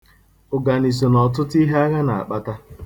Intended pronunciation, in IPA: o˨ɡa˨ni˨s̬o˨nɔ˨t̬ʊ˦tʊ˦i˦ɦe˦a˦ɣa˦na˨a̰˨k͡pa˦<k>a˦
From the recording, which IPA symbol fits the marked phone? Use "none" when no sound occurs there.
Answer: t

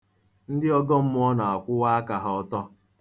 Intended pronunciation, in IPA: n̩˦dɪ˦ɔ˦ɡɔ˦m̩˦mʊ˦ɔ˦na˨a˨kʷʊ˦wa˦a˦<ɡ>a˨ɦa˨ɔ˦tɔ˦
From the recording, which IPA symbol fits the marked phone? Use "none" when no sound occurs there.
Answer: k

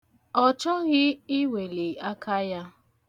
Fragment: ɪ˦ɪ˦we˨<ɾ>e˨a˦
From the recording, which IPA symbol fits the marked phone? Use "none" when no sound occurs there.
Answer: l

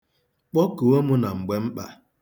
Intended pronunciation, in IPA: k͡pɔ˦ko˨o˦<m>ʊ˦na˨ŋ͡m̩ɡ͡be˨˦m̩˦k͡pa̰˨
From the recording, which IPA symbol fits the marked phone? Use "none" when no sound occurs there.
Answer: m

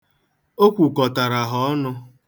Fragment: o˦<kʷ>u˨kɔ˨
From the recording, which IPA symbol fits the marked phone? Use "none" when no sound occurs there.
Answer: kʷ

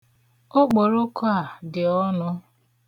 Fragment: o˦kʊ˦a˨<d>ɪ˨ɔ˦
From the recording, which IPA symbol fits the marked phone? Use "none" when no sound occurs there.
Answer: d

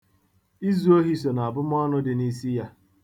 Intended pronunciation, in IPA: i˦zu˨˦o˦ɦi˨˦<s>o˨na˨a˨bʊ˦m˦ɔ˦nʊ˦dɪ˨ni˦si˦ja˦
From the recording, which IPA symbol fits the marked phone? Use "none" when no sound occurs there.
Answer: s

